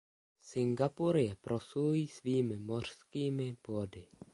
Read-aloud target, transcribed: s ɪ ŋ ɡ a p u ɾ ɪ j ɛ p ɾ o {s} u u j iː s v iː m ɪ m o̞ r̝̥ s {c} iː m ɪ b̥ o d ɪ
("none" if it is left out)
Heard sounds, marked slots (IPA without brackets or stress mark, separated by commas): s, k